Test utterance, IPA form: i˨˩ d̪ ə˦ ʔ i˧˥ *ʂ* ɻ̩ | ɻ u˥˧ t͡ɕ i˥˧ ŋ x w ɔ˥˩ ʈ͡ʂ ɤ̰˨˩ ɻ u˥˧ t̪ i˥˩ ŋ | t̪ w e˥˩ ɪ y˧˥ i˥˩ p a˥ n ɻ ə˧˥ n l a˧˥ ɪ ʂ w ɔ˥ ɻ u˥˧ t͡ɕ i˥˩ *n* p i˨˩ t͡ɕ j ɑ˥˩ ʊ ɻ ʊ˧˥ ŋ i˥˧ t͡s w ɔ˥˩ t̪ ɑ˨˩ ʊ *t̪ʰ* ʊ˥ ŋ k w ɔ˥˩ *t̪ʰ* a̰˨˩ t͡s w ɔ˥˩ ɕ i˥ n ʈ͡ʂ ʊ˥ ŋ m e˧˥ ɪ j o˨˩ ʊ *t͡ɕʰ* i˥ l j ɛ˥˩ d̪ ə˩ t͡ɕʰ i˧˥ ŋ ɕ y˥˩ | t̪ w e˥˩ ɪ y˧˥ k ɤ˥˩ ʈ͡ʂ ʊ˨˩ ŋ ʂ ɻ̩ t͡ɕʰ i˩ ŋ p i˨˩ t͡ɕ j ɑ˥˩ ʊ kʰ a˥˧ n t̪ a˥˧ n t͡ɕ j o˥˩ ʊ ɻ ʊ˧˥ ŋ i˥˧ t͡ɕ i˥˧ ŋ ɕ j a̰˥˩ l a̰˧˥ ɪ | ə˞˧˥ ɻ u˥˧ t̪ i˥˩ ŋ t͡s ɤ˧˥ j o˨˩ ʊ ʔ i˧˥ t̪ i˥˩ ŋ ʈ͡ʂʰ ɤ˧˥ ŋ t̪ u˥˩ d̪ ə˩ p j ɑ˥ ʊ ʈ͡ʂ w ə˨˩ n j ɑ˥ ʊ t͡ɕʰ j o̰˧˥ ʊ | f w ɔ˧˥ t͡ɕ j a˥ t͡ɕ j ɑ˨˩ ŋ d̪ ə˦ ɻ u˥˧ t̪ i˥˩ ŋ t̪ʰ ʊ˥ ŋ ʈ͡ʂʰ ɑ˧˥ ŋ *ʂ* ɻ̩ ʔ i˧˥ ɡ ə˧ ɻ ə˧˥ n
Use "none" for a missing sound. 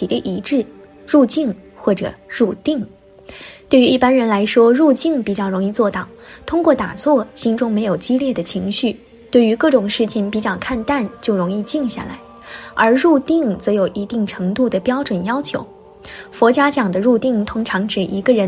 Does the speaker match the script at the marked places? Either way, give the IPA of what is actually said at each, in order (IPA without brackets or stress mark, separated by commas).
ʈ͡ʂ, ŋ, t̪ʰ, t̪, t͡ɕ, ʈ͡ʂ